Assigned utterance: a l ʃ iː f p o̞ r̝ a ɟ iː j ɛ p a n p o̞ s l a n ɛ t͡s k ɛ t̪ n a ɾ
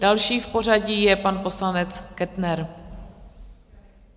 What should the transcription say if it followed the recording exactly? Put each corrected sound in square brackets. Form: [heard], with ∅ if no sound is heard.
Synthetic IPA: a l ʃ iː f p o̞ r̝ a ɟ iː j ɛ p a n p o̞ s l a n ɛ t͡s k ɛ t̪ n [ɛ] ɾ